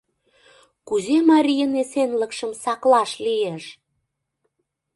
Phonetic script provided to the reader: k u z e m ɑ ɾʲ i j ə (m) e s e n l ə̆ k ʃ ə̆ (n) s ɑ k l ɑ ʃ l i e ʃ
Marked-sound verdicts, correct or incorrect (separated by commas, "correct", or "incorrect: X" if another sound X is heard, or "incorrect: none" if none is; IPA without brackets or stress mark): incorrect: n, incorrect: m